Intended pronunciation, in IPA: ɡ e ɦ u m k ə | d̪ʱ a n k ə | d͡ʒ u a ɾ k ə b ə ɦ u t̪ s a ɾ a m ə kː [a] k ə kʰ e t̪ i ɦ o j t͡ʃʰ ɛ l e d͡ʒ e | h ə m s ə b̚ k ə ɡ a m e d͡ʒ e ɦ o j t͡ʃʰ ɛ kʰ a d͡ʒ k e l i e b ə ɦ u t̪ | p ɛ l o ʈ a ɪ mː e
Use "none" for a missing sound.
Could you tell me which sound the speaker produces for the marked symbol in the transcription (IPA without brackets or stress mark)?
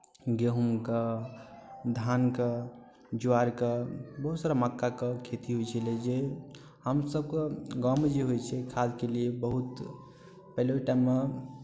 a